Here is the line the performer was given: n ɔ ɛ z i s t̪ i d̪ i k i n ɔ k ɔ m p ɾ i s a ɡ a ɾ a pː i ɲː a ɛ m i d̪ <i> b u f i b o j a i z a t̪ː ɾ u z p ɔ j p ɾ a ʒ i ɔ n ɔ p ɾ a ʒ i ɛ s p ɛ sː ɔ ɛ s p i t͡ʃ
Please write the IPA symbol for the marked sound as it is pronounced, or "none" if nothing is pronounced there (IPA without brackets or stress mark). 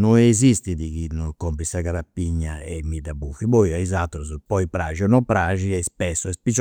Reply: a